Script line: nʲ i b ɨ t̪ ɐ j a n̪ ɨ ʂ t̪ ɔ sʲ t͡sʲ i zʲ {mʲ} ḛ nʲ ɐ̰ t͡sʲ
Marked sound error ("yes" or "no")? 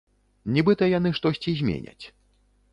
no